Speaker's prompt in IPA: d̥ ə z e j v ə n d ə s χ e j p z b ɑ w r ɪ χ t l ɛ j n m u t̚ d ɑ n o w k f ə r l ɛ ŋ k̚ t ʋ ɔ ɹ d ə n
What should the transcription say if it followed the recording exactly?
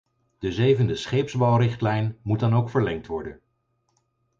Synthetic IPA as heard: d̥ ə z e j v ə n d ə s χ e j p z b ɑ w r ɪ χ t l ɛ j n m u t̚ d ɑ n o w k f ə ɹ l ɛ ŋ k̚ t ʋ ɔ ɹ d ə n